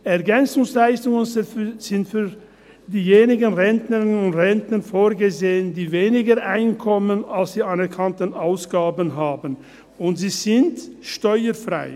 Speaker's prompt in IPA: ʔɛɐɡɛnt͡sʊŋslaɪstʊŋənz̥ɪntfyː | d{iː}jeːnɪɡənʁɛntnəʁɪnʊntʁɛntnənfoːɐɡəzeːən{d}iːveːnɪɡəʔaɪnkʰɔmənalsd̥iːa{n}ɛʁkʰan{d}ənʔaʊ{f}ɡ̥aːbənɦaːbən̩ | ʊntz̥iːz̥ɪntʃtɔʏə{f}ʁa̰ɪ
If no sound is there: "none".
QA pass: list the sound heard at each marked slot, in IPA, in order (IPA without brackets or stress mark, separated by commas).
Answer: iː, d, n, t, s, f